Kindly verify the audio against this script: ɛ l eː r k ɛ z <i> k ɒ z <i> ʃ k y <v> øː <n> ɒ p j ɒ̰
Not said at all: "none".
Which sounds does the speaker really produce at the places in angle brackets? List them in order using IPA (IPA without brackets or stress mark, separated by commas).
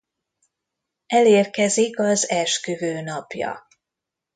i, ɛ, v, n